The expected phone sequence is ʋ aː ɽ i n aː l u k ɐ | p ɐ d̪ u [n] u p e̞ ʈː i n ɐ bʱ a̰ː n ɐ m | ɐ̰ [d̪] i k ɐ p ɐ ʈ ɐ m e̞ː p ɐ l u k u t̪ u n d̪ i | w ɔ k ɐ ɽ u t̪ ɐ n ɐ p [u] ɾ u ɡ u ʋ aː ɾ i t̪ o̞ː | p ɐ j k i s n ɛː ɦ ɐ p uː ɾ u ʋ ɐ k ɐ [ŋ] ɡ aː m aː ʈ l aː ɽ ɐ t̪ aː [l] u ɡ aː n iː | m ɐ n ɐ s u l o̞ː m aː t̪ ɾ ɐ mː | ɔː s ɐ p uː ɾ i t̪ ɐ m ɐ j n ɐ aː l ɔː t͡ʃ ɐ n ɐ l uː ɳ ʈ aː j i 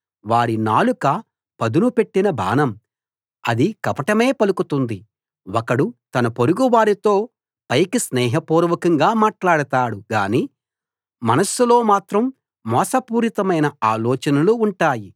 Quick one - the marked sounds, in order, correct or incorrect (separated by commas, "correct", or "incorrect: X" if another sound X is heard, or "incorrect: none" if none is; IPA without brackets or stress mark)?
correct, correct, incorrect: o, correct, incorrect: ɽ